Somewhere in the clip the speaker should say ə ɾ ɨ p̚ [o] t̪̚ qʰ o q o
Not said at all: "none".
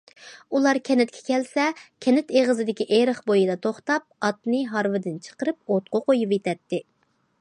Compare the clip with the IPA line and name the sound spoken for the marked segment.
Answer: o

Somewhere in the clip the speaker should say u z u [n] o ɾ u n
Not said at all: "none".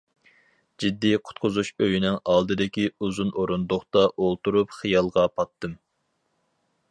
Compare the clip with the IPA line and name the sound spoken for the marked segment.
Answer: n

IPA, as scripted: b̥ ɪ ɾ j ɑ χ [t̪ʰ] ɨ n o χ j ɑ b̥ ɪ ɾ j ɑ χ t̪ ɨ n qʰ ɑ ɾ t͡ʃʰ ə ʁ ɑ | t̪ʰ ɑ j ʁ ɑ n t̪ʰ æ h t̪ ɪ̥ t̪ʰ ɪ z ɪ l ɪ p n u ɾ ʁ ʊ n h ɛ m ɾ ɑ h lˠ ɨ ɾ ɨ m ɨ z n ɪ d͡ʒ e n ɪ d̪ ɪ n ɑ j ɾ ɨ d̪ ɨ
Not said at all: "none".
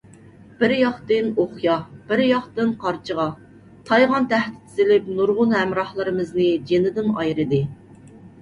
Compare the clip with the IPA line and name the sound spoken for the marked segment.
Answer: t̪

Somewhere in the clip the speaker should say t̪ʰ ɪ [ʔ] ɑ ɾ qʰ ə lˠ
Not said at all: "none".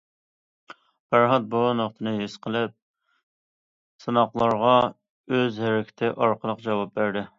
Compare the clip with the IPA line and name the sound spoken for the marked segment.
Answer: ʔ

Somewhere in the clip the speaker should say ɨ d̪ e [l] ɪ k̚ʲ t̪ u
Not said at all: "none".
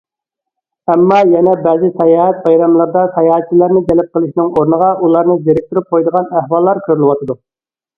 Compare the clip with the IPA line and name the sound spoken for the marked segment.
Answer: ɾ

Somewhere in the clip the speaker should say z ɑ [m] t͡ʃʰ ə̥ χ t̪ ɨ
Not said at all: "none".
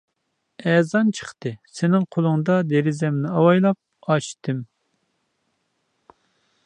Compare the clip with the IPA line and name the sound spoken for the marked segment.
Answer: n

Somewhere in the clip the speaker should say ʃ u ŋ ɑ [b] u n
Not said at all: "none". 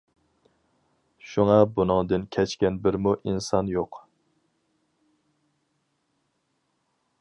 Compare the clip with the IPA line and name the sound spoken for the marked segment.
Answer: b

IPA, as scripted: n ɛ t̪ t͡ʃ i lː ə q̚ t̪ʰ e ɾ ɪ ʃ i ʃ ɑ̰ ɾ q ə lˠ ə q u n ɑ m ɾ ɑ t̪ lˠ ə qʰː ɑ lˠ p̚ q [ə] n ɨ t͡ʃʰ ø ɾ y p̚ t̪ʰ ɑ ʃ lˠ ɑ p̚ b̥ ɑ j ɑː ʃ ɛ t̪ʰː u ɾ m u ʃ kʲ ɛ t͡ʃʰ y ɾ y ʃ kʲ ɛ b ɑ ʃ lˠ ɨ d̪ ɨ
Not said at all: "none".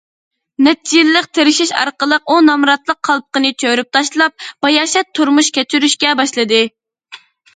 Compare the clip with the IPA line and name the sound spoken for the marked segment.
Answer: ə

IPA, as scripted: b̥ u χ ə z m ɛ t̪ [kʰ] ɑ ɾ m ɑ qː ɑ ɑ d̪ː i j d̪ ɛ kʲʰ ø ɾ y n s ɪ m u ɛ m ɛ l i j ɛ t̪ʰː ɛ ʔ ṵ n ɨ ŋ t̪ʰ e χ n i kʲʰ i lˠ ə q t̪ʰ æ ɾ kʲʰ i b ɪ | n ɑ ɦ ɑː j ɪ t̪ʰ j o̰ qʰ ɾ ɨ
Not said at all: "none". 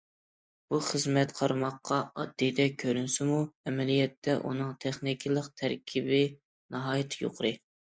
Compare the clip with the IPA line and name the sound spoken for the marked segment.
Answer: qʰ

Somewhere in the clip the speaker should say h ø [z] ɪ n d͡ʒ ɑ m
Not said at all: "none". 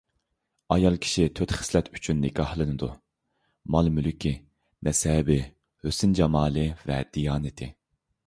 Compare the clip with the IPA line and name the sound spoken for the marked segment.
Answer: s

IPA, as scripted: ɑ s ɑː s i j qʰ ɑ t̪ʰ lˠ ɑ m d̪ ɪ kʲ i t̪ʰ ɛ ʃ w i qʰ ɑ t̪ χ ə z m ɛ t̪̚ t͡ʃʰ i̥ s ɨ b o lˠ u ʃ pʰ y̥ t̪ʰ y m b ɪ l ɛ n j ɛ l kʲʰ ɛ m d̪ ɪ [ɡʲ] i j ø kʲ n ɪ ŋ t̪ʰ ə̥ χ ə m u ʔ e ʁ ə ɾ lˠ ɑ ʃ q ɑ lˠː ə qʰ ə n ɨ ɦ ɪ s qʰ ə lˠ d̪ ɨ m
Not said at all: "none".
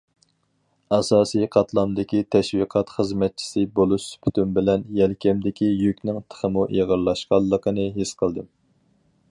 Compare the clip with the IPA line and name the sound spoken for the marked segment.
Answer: kʲ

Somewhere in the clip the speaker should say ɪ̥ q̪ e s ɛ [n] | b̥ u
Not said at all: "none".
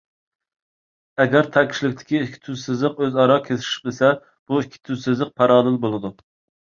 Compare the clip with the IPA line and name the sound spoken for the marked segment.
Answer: none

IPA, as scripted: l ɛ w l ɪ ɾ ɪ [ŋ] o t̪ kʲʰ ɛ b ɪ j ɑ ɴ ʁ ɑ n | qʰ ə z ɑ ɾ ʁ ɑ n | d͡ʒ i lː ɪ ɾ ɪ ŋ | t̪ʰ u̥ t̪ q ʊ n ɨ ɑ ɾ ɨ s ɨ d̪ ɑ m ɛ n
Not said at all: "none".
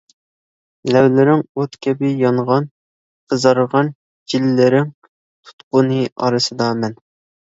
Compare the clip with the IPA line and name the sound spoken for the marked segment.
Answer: ŋ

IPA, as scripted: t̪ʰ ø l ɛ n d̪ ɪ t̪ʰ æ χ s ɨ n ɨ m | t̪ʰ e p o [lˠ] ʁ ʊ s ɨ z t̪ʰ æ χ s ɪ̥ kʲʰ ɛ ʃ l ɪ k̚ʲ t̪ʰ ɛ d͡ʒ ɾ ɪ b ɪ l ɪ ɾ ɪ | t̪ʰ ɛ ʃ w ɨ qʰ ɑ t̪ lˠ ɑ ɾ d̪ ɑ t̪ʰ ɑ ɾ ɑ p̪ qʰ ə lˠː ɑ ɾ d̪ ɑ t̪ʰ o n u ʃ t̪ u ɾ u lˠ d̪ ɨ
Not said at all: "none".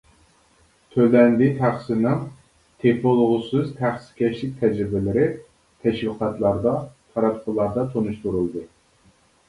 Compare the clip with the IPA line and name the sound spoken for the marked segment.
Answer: lˠ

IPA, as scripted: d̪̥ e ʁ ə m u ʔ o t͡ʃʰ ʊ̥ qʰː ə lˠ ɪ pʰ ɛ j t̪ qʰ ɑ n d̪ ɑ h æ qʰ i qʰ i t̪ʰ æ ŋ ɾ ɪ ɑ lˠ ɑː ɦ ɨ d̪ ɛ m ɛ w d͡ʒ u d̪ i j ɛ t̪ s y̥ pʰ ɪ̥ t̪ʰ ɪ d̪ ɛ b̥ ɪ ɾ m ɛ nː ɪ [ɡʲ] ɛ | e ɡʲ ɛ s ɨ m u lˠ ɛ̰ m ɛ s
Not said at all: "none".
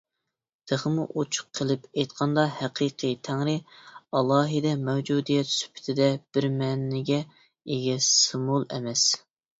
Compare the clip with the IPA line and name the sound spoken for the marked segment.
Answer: ɡʲ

